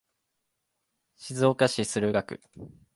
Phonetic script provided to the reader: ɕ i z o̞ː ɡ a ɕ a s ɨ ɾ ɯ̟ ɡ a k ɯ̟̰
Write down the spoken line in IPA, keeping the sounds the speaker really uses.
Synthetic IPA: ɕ i z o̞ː k a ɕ i s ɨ ɾ ɯ̟ ɡ a k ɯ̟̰